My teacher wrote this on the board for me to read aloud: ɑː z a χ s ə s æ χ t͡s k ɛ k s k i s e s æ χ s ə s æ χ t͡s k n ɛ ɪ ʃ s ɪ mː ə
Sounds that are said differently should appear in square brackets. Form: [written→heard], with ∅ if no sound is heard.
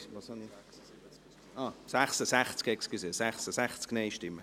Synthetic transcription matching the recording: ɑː [z→s] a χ s ə s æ χ t͡s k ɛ k s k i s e s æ χ s ə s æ χ t͡s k n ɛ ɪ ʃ [s→t] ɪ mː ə